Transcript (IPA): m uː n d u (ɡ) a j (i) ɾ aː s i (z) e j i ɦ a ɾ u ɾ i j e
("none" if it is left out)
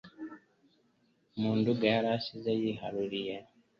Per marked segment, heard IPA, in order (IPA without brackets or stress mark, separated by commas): ɡ, a, z